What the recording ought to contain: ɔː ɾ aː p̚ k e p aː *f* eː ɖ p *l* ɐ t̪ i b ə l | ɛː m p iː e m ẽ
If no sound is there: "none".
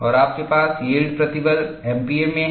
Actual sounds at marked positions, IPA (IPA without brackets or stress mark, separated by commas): s, ɾ